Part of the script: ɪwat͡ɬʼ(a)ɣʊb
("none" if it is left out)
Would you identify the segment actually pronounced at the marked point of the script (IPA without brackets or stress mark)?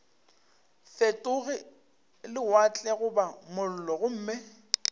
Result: ɛ